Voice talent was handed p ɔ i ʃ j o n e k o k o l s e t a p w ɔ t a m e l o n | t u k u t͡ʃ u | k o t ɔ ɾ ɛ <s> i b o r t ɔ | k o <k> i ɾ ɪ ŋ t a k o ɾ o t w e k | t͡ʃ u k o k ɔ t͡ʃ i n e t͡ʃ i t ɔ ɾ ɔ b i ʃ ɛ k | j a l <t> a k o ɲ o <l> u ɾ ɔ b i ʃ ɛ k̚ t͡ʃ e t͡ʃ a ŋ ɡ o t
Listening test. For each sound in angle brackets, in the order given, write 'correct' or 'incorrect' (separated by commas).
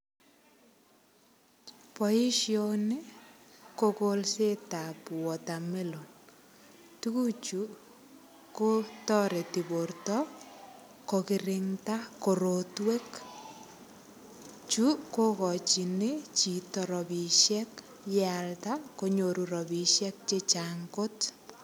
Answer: incorrect, correct, correct, incorrect